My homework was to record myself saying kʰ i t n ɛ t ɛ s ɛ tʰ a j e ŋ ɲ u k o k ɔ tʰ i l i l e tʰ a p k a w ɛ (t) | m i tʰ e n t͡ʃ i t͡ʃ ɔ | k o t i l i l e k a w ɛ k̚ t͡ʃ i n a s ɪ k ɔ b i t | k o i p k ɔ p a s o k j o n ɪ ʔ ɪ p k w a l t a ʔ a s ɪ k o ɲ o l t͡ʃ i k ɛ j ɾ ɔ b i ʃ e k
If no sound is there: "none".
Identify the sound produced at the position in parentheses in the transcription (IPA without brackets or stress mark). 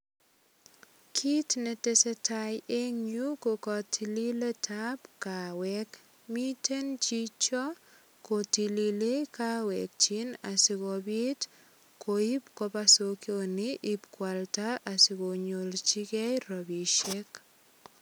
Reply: k